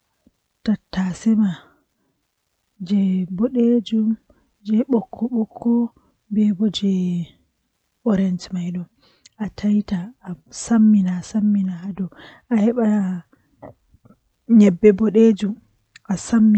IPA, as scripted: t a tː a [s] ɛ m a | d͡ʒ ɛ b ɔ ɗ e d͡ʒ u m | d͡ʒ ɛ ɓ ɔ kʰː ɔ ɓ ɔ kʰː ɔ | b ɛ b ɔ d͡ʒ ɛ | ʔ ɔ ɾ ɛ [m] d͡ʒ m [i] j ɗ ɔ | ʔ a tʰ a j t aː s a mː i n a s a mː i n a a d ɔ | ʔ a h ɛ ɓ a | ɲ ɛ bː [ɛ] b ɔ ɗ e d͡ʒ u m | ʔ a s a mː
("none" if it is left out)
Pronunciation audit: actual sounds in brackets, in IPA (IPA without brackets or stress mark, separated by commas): s, n, a, ɛ